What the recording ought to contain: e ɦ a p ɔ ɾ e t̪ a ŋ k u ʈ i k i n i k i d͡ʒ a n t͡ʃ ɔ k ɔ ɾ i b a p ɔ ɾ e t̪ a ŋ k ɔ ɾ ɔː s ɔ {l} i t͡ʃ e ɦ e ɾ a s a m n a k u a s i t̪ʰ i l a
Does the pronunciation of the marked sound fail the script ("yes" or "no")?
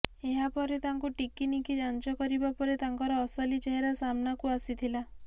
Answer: no